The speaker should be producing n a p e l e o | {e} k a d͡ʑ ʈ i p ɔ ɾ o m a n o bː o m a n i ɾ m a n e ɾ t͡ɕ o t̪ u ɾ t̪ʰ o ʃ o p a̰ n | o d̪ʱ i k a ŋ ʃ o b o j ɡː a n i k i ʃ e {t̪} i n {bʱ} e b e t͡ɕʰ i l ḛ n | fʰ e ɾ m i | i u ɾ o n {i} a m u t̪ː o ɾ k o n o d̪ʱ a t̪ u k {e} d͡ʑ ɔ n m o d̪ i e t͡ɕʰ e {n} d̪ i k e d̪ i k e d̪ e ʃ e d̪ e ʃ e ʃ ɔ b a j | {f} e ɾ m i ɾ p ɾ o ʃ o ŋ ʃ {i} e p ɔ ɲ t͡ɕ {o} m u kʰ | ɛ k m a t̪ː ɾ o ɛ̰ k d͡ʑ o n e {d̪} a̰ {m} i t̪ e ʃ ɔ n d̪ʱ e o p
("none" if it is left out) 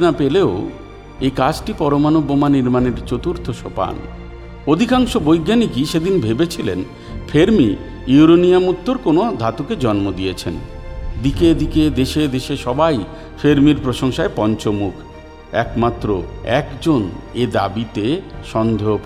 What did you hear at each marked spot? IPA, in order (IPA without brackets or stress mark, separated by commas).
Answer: e, d̪, bʱ, i, e, n, f, a, o, d̪, b